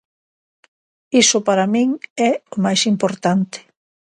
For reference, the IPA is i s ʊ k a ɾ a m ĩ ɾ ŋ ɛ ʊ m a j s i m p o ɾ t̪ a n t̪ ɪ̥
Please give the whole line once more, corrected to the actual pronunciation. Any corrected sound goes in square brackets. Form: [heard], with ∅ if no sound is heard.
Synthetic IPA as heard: i s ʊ [p] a ɾ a m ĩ [∅] ŋ ɛ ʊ m a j s i m p o ɾ t̪ a n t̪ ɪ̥